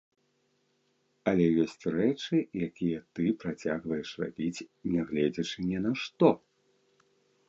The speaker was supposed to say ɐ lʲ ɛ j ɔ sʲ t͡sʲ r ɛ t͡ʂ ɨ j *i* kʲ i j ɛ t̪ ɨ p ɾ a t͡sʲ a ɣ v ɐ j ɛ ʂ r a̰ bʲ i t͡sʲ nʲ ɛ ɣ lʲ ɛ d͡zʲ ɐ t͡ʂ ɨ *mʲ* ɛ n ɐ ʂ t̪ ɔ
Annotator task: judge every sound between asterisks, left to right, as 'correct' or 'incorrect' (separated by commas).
incorrect, incorrect